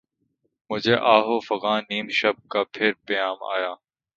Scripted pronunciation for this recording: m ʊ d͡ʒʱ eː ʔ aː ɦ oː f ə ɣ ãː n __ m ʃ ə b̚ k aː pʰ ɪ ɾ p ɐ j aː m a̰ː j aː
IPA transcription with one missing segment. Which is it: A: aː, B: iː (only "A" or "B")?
B